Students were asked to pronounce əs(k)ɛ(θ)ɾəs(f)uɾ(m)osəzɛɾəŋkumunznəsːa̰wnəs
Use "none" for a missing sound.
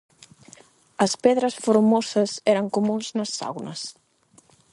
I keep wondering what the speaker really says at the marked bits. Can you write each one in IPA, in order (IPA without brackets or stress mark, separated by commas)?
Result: p, ð, f, m